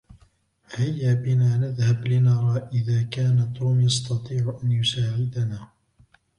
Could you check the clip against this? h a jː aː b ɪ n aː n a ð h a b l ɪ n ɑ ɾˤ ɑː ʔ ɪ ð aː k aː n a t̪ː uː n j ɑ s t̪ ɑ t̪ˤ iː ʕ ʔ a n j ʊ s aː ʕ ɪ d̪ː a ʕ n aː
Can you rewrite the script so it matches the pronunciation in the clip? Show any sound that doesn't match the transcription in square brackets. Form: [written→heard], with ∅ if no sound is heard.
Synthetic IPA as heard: h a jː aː b ɪ n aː n a ð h a b l ɪ n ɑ ɾˤ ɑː ʔ ɪ ð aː k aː n a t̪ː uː [n→m] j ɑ s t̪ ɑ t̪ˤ iː ʕ ʔ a n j ʊ s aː ʕ ɪ [d̪ː→d̪] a [ʕ→∅] n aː